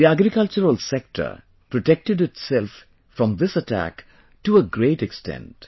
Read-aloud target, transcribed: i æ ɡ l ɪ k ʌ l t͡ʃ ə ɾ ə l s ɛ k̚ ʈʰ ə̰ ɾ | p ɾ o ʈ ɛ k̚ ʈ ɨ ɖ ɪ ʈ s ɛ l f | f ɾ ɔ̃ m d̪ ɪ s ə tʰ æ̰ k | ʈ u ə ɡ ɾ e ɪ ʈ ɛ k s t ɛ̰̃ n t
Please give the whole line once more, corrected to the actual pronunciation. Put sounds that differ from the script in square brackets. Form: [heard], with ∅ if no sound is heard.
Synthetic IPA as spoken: i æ ɡ [ɾ] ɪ k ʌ l t͡ʃ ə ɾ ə l s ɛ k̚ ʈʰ ə̰ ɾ | p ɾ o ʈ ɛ k̚ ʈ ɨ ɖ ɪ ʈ s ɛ l f | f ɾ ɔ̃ m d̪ ɪ s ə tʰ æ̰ k | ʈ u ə ɡ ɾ e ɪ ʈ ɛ k s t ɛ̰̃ n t